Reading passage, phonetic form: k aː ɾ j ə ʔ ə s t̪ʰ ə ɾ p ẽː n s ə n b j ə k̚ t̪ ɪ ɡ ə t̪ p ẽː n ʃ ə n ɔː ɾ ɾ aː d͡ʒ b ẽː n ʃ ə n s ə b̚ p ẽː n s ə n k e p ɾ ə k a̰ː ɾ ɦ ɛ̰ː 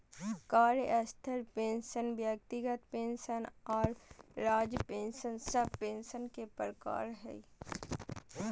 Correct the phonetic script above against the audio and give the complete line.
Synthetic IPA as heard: k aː ɾ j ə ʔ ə s t̪ʰ ə ɾ p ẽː n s ə n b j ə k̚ t̪ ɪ ɡ ə t̪ p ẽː n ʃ ə n ɔː ɾ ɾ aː d͡ʒ p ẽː n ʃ ə n s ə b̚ p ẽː n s ə n k e p ɾ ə k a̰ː ɾ ɦ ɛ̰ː

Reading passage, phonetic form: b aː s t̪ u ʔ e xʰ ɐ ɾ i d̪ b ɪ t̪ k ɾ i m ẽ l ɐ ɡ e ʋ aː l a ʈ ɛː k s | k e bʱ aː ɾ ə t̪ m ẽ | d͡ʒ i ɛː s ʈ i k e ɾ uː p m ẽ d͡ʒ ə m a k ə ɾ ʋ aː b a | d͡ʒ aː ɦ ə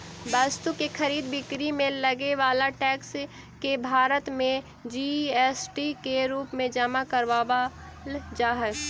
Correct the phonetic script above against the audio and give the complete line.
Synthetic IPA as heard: b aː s t̪ u k e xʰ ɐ ɾ iː d̪ b ɪ k ɾ i m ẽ l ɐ ɡ e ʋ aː l a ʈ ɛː k s | k e bʱ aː ɾ ə t̪ m ẽ | d͡ʒ i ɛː s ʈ i k e ɾ uː p m ẽ d͡ʒ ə m a k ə ɾ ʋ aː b a | d͡ʒ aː ɦ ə

